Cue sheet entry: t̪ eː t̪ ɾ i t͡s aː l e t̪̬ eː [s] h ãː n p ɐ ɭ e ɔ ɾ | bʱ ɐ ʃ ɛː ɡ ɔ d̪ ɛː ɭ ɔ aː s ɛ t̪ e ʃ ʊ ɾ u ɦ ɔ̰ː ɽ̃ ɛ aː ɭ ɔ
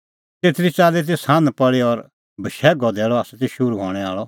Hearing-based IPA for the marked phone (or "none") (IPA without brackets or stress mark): s